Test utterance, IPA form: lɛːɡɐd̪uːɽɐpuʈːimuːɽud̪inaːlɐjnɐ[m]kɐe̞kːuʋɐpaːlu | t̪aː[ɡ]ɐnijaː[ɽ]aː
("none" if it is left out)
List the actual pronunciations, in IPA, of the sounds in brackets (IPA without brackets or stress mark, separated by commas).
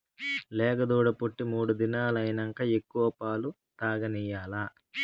ŋ, ɡ, l